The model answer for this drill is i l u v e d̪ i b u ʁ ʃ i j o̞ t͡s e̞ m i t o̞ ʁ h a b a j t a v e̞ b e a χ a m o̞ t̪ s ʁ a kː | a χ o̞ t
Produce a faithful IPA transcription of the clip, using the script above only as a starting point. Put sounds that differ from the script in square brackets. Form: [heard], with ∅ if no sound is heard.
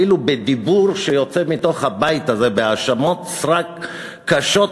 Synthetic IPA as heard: i l u [b] e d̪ i b u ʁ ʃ [e] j o̞ t͡s e̞ m i t o̞ [χ] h a b a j t a [z] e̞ b e a [ʃ] a m o̞ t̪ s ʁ a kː | a [ʃ] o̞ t